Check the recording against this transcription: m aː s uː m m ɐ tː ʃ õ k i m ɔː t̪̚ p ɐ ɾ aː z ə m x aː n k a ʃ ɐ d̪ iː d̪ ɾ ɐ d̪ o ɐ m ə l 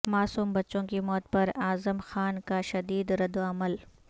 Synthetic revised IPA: m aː s uː m b ɐ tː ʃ õ k i m ɔː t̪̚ p ɐ ɾ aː z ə m x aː n k a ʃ ɐ d̪ iː d̪ ɾ ɐ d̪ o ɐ m ə l